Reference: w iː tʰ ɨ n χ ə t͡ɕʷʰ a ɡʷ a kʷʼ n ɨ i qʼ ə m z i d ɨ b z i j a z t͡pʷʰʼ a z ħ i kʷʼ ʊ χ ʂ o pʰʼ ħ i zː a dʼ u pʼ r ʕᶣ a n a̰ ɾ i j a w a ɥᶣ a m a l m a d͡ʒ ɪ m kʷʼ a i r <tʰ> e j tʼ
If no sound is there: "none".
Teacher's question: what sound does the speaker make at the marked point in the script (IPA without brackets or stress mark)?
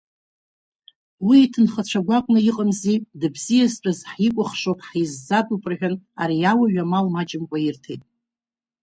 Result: tʰ